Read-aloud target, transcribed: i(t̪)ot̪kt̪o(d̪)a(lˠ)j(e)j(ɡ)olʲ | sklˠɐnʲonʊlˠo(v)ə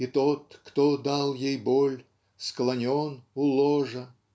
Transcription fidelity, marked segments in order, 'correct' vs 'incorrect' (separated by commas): correct, correct, correct, correct, incorrect, incorrect